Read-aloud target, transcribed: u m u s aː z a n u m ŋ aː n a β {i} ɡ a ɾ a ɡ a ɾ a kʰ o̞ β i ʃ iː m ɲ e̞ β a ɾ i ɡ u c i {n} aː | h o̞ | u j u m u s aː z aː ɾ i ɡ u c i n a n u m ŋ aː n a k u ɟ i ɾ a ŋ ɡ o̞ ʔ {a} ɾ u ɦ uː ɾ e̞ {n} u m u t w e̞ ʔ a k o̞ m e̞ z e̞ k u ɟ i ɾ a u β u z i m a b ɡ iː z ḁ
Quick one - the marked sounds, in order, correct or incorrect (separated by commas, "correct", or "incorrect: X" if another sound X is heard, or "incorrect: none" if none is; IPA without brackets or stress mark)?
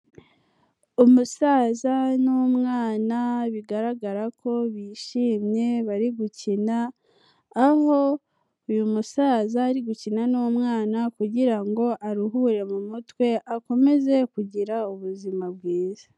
correct, correct, correct, incorrect: m